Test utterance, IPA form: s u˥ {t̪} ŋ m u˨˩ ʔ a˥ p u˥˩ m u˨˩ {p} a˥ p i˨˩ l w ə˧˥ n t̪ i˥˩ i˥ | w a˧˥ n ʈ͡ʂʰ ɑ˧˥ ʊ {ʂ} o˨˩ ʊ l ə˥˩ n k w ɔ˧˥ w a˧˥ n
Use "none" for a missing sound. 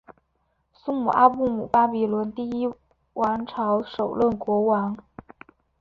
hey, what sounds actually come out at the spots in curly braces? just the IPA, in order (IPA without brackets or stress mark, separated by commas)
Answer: none, p, ʂ